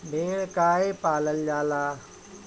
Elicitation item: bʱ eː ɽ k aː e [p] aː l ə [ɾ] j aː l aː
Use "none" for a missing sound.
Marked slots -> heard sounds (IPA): p, l

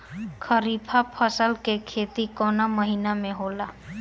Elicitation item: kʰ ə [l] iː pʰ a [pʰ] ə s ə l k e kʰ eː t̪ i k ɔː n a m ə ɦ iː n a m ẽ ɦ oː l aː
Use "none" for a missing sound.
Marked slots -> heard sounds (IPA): ɾ, pʰ

